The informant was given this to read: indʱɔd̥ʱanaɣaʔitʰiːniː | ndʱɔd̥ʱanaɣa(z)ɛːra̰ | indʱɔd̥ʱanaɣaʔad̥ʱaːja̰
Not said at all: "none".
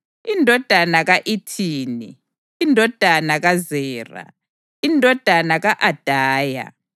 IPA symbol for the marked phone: z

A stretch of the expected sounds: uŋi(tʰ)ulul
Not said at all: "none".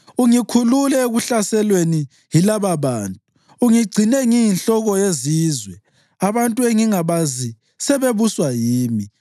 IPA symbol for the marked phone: kʰ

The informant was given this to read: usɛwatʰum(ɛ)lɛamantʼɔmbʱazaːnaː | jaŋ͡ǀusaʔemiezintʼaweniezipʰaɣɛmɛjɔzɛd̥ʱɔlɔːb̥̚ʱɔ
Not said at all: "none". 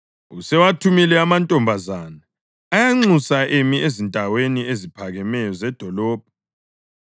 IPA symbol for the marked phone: i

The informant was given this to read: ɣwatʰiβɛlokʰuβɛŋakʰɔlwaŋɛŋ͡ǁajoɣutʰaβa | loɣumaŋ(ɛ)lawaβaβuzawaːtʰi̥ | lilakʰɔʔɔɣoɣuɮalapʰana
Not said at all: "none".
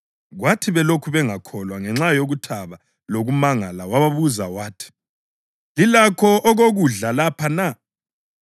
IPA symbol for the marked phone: a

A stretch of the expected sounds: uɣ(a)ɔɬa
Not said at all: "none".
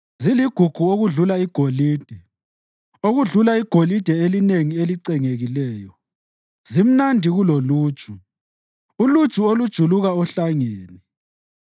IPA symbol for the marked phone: a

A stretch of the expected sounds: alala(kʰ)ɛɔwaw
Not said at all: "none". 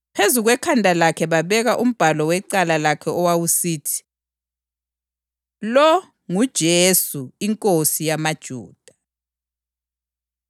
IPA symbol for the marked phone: kʰ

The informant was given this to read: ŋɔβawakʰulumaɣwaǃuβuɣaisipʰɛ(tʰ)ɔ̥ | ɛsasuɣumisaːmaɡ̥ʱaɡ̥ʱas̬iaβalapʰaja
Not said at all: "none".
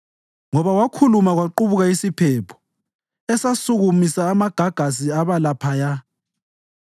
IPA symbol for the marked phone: pʰ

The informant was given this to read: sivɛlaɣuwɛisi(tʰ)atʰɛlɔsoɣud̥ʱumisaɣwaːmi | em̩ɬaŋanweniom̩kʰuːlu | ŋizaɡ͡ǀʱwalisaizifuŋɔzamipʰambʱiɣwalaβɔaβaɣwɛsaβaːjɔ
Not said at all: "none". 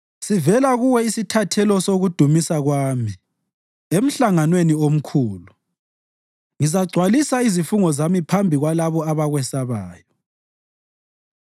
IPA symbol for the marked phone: tʰ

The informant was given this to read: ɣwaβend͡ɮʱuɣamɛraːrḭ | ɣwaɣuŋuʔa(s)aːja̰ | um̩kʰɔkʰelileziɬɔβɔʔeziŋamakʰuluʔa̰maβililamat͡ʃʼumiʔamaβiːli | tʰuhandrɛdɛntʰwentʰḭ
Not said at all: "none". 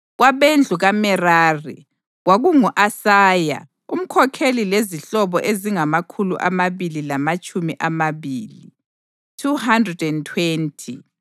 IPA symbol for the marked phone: s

